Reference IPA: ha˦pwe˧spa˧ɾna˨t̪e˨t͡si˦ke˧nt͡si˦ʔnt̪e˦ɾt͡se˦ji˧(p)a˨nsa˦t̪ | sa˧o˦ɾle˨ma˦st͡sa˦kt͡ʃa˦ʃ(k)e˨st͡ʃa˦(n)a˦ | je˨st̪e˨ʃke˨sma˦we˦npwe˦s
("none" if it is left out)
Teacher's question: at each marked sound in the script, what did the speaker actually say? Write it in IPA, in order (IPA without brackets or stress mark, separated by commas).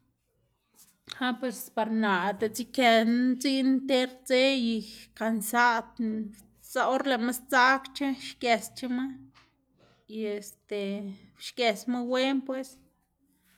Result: k, k, m